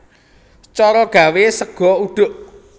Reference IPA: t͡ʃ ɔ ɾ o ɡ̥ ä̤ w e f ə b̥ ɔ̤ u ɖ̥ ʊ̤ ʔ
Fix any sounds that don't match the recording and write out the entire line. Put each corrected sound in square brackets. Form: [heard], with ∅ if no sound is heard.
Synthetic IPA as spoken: t͡ʃ ɔ ɾ [ɔ] ɡ̥ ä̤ w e [s] ə [ɡ̥] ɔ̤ u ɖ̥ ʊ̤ ʔ